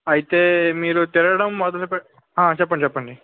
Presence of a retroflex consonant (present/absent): present